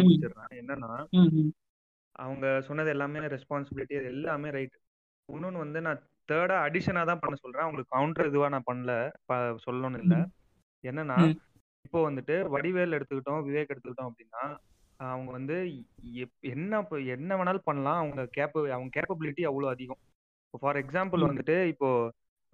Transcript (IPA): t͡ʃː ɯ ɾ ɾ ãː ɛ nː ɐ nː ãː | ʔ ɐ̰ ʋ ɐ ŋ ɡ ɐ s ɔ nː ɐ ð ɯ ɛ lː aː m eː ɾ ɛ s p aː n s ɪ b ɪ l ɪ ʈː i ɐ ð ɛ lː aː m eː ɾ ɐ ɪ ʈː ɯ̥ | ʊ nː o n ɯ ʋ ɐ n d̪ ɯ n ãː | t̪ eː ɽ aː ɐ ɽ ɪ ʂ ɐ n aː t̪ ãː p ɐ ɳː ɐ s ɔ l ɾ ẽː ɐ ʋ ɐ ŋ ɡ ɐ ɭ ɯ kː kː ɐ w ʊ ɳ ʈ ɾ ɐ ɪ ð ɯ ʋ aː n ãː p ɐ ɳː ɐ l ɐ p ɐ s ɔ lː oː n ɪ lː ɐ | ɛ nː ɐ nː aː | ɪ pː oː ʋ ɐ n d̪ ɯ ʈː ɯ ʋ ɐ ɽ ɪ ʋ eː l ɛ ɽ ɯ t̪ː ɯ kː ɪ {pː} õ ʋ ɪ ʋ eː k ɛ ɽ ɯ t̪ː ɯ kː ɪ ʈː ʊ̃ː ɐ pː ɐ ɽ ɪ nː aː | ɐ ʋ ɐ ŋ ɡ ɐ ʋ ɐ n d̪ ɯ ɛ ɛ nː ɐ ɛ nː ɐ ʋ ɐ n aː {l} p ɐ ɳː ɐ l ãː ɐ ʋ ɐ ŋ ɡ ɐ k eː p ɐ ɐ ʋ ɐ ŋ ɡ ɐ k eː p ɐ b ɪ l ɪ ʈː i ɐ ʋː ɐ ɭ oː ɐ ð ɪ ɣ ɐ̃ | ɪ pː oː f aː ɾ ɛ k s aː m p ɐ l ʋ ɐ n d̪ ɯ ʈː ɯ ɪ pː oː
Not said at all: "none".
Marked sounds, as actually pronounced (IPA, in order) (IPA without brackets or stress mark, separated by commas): ʈː, l